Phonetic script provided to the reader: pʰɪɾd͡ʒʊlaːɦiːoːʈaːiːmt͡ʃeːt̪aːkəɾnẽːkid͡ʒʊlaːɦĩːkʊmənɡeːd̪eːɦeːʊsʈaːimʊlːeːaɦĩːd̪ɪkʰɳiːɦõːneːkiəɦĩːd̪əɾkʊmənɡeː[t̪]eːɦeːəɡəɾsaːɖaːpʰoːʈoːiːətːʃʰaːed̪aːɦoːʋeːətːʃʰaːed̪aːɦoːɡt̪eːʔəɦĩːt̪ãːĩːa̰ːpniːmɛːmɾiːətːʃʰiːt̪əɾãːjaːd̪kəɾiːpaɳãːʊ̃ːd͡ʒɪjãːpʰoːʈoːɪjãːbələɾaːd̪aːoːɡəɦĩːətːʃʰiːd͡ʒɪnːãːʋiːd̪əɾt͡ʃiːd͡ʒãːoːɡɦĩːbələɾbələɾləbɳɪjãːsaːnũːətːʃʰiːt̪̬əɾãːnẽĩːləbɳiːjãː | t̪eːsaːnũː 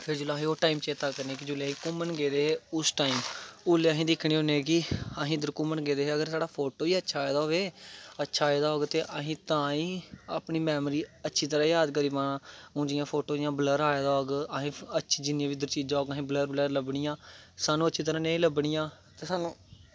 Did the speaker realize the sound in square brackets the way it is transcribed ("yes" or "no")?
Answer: no